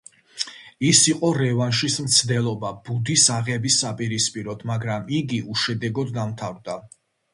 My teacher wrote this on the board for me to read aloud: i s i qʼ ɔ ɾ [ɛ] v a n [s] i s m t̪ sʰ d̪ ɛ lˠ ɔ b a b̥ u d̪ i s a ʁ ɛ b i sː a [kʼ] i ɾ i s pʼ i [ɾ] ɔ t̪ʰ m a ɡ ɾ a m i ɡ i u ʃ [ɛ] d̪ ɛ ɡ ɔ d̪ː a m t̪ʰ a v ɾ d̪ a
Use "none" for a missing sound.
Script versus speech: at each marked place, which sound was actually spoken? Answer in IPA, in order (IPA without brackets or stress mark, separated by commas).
ɛ, ʃ, pʼ, ɾ, ɛ